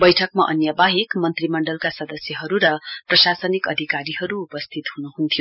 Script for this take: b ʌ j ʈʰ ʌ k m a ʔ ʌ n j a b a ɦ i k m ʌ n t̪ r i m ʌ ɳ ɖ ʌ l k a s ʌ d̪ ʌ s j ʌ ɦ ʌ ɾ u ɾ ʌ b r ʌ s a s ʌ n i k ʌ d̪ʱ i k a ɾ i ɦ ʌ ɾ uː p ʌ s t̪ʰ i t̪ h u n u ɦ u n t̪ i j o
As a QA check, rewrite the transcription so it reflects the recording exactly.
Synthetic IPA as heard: b ʌ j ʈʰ ʌ k m a ʔ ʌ n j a b a ɦ i k m ʌ n t̪ r i m ʌ ɳ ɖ ʌ l k a s ʌ d̪ ʌ s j ʌ ɦ ʌ ɾ u ɾ ʌ p r ʌ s a s ʌ n i k ʌ d̪ʱ i k a ɾ i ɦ ʌ ɾ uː p ʌ s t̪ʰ i t̪ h u n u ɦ u n t̪ʰ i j o